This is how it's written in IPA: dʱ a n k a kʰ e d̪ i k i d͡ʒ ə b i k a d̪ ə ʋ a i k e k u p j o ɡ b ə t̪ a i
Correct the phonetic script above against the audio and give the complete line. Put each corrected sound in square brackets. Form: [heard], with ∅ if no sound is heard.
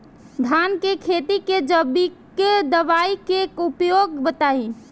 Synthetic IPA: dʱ a n k [e] kʰ e [t̪] i k [e] d͡ʒ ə b i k [e] d̪ ə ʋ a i k e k u p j o ɡ b ə t̪ a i